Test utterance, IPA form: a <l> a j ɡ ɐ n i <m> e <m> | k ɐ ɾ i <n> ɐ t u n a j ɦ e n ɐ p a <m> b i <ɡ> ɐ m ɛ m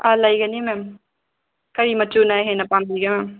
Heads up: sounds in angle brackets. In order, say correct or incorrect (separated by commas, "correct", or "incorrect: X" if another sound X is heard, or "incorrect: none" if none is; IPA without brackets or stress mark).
correct, correct, correct, incorrect: m, correct, correct